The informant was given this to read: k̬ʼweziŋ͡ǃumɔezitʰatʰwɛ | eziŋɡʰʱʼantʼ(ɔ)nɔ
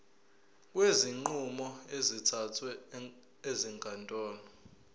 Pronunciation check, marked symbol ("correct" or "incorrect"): incorrect